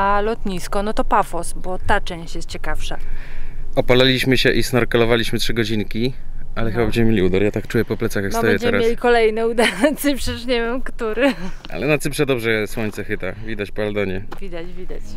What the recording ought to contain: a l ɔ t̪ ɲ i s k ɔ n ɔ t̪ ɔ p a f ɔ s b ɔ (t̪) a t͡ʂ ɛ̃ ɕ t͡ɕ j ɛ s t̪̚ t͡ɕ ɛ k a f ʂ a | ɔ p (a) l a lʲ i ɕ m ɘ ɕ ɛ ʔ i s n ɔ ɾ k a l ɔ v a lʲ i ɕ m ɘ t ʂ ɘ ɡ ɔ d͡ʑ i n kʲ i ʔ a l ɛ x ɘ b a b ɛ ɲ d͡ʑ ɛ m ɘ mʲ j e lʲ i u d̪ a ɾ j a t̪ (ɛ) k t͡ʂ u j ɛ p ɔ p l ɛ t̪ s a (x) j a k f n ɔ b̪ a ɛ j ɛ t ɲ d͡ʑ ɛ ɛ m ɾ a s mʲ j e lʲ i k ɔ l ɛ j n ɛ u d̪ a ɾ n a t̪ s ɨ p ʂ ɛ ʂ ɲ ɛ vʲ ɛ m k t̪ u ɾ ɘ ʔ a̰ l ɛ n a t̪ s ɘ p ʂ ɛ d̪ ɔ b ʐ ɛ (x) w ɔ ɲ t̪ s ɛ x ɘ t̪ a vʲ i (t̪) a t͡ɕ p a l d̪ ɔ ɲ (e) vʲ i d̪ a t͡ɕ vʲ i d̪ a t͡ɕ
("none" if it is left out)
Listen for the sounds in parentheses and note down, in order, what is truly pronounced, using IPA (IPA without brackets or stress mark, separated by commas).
t̪, a, a, x, s, d̪, ɛ